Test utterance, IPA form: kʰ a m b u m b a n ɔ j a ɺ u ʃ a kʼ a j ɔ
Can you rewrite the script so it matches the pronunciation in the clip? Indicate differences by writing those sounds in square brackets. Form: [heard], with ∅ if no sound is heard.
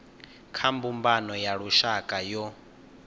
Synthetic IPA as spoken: kʰ a m b u m b a n ɔ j a ɺ u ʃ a kʼ a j ɔ